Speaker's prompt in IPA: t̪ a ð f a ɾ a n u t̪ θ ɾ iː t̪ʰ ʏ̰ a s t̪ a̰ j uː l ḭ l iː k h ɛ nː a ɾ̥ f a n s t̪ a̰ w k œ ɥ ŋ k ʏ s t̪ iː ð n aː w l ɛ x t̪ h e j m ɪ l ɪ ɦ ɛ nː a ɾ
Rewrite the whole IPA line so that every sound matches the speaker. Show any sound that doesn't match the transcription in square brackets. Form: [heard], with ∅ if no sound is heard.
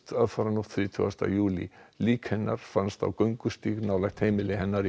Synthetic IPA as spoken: t̪ a ð f a ɾ a n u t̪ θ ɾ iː t̪ʰ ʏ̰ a s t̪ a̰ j uː l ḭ l iː k h ɛ nː a ɾ̥ f a n s t̪ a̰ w k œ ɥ ŋ k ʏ s t̪ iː [ɣ] n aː w l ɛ x t̪ h e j m ɪ l ɪ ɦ ɛ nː a ɾ